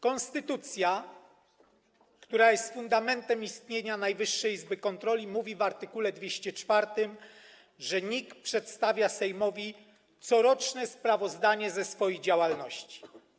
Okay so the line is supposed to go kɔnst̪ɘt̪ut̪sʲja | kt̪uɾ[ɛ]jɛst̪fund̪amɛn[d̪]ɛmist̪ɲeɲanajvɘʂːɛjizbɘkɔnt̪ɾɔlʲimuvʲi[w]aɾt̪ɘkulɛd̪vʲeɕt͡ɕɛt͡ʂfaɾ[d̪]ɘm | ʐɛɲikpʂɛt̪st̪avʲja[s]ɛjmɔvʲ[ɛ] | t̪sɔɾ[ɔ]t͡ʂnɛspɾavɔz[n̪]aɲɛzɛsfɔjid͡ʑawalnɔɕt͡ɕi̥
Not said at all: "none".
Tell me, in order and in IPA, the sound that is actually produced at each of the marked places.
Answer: a, t̪, v, t̪, s, i, ɔ, d̪

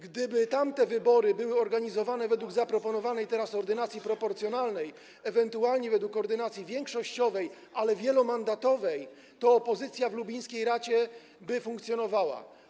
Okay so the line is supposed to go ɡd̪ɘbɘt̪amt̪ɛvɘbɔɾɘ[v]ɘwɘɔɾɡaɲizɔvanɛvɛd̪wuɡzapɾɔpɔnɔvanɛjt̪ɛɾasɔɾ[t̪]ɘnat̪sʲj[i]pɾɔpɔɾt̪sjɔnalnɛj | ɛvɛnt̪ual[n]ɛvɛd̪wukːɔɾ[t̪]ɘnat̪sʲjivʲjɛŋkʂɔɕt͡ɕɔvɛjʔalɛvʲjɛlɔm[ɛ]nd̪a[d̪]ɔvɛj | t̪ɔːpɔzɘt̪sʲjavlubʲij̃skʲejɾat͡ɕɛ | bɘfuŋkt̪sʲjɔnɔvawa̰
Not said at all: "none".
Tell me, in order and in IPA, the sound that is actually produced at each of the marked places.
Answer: b, d̪, i, ɲ, d̪, a, t̪

